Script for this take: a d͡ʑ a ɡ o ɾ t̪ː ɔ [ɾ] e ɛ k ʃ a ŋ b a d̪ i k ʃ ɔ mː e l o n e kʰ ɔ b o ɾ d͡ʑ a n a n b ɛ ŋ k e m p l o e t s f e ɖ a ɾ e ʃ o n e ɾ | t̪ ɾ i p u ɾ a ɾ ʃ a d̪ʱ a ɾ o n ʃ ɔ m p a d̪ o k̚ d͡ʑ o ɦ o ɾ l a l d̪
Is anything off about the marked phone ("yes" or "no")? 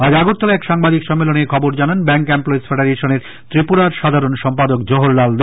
yes